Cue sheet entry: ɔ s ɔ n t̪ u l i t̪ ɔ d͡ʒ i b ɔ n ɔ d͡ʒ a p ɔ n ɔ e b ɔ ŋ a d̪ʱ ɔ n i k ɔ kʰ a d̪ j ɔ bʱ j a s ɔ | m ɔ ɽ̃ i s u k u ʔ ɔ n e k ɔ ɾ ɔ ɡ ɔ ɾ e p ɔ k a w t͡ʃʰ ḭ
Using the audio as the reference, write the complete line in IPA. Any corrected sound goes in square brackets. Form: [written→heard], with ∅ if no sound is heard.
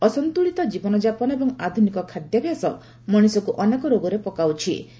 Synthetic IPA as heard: ɔ s ɔ n t̪ u [l→ɭ] i t̪ ɔ d͡ʒ i b ɔ n ɔ d͡ʒ a p ɔ n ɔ e b ɔ ŋ a d̪ʱ [ɔ→u] n i k ɔ kʰ a d̪ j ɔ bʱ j a s ɔ | m ɔ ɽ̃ i s [u→ɔ] k u ʔ ɔ n e k ɔ ɾ [ɔ→o] ɡ ɔ ɾ e p ɔ k a w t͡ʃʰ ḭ